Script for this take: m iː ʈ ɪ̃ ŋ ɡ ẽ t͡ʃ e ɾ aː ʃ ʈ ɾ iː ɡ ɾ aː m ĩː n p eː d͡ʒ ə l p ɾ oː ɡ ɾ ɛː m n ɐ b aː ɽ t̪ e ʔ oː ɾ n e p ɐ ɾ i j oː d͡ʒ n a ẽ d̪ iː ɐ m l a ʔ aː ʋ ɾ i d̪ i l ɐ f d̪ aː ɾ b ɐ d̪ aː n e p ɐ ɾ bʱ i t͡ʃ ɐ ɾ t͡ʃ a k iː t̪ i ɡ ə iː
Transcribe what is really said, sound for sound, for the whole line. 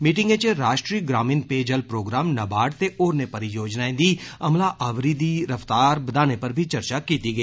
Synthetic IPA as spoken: m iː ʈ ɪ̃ ŋ ɡ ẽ t͡ʃ e ɾ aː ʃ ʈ ɾ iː ɡ ɾ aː m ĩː n p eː d͡ʒ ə l p ɾ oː ɡ ɾ aː m n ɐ b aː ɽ t̪ e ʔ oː ɾ n e p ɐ ɾ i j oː d͡ʒ n a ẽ d̪ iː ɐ m l a ʔ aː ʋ ɾ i d̪ i ɾ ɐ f t̪ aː ɾ b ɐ d̪ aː n e p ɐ ɾ bʱ i t͡ʃ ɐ ɾ t͡ʃ a k iː t̪ i ɡ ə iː